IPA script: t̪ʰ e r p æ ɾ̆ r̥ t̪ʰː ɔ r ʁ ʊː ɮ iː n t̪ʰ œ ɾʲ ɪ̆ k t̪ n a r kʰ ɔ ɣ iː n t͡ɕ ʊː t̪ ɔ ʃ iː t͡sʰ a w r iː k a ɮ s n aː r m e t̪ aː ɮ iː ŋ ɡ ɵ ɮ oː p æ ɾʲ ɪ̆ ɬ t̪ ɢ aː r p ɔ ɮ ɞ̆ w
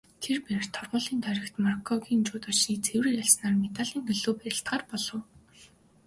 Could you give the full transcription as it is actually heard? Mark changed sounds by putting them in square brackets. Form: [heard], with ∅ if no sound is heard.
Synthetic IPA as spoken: t̪ʰ e r p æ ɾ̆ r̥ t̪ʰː ɔ r ʁ ʊː ɮ iː n t̪ʰ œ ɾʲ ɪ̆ k t̪ [m] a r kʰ ɔ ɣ iː n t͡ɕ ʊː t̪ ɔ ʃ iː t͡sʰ [e] w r iː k a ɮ s n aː r m e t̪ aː ɮ iː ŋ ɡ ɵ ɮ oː p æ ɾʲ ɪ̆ ɬ t̪ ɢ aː r p ɔ ɮ ɞ̆ w